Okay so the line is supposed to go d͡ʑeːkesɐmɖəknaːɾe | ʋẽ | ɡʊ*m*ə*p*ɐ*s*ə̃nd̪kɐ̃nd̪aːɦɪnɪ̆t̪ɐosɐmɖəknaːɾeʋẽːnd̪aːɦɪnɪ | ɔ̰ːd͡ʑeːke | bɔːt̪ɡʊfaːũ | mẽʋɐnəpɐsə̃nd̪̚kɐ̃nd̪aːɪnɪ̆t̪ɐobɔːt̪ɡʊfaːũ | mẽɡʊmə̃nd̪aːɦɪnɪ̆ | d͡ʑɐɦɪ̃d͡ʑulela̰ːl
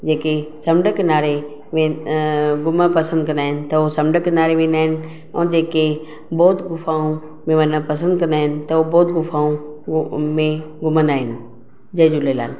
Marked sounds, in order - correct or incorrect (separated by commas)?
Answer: correct, correct, correct